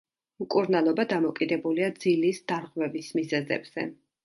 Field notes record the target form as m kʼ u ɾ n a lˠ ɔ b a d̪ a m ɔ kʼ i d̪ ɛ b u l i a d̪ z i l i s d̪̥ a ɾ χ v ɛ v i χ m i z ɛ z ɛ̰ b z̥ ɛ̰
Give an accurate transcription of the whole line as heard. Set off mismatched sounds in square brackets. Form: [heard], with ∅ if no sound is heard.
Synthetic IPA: m kʼ u ɾ n a lˠ ɔ b a d̪ a m ɔ kʼ i d̪ ɛ b u l i a d̪ z i l i s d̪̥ a ɾ [ʁ] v ɛ v i [s] m i z ɛ z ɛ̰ b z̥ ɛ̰